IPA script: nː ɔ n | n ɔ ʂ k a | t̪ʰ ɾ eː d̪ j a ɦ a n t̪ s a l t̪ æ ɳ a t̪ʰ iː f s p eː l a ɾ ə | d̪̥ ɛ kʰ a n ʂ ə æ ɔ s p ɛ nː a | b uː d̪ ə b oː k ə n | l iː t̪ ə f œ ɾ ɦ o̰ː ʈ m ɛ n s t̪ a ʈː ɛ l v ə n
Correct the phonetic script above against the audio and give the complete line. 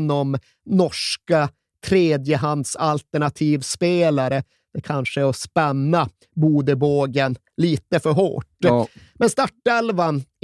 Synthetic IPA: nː ɔ m | n ɔ ʂ k a | t̪ʰ ɾ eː d̪ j ə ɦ a n d̪ s a l t̪ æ ɳ a t̪ʰ iː v s p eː l a ɾ ə | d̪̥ ɛ kʰ a n ʂ ə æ ɔ s p ɛ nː a | b uː d̪ ə b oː ɡ ə n | l iː t̪ ə f œ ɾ ɦ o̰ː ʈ m ɛ n s t̪ a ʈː ɛ l v a n